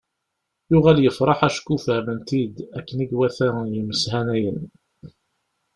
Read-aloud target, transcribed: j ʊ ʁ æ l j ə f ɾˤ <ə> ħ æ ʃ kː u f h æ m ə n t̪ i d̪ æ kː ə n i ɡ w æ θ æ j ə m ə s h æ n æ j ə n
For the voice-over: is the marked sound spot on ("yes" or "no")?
no